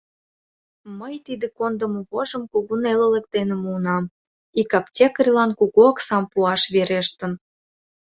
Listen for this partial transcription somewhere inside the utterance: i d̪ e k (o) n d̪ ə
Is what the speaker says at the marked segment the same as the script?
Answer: yes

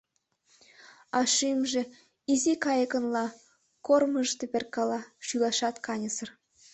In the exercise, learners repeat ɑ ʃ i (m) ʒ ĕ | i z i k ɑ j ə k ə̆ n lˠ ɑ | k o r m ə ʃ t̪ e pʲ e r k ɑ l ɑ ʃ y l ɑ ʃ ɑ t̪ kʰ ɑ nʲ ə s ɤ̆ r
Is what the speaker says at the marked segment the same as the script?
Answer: yes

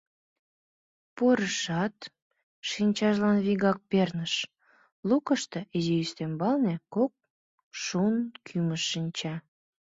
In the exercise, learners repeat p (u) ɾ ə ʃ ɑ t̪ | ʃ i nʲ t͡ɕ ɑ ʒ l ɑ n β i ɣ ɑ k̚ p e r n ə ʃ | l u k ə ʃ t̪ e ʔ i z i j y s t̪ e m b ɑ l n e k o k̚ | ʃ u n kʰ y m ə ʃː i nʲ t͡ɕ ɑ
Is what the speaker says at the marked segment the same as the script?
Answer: no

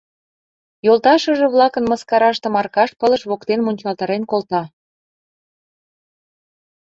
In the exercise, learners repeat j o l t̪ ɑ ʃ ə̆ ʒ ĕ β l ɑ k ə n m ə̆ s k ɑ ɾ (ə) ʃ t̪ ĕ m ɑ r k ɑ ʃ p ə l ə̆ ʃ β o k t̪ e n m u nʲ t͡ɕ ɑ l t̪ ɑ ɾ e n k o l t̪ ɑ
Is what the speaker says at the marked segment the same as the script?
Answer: no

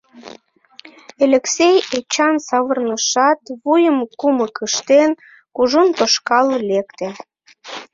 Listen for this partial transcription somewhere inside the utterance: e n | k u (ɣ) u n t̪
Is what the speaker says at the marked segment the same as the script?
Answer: no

